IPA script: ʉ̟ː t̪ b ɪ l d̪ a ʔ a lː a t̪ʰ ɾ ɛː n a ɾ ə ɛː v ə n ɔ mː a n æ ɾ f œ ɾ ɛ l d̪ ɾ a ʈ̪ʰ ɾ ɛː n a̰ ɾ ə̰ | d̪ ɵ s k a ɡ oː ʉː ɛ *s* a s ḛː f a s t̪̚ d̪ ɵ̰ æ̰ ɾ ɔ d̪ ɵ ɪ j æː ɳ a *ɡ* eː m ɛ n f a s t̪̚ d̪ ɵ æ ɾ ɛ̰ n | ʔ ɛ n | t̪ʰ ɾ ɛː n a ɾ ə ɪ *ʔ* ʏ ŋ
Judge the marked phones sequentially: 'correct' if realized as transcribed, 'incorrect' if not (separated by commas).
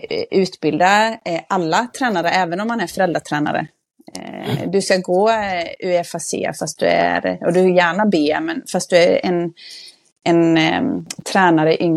incorrect, incorrect, correct